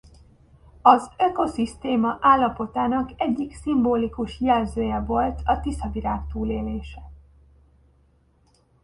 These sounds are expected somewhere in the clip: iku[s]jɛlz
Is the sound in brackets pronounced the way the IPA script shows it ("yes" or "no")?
no